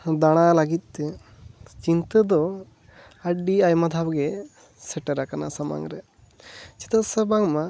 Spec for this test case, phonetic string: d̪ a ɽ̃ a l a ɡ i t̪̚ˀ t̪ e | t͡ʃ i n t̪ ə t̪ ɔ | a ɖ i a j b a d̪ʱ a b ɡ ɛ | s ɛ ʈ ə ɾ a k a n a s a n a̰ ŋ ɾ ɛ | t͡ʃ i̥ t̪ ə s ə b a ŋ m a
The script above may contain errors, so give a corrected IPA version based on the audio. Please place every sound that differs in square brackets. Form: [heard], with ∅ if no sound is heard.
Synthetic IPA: d̪ a ɽ̃ a l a ɡ i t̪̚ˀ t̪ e | t͡ʃ i n t̪ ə [d̪] ɔ | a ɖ i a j [m] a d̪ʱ a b ɡ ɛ | s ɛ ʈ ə ɾ a k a n a s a [m] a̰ ŋ ɾ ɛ | t͡ʃ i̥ t̪ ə s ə b a ŋ m a